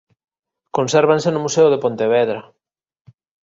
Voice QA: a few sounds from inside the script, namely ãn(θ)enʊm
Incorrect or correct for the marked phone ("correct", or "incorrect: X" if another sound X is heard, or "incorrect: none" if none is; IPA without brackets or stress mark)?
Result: incorrect: s